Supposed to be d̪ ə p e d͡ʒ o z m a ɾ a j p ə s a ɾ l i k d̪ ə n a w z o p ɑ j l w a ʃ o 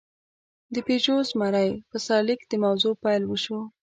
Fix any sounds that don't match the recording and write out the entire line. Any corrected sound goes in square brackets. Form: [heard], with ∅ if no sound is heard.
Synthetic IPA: d̪ ə p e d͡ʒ o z m a ɾ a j p ə s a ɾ l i k d̪ ə [m] a w z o p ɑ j l w [ə] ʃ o